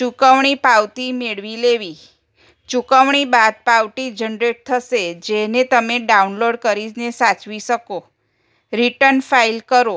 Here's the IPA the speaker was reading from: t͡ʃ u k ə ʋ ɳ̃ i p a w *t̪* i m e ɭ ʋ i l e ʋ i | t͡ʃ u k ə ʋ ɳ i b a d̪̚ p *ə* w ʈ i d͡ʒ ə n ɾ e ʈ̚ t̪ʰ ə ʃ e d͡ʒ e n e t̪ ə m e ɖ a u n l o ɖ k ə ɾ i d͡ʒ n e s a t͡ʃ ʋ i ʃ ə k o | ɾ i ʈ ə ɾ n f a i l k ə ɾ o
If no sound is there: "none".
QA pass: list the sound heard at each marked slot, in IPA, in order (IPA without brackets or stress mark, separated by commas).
t̪, a